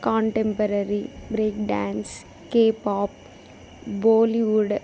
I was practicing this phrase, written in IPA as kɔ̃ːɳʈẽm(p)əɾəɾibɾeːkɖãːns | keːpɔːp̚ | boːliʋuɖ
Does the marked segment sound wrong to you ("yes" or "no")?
no